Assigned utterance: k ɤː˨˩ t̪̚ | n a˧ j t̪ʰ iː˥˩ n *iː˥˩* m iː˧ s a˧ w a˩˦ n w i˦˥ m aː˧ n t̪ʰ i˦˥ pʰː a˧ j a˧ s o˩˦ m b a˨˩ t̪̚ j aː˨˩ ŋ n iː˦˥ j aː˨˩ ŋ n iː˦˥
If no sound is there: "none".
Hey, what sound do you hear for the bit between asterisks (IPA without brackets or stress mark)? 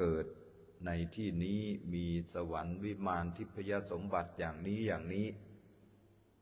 iː˦˥